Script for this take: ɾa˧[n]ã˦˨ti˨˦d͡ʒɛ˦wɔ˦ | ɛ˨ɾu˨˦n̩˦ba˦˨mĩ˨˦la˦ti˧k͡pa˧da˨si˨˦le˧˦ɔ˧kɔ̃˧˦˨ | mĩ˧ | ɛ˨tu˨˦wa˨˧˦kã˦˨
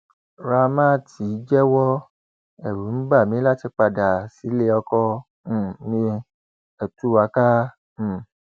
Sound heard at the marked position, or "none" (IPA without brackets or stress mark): m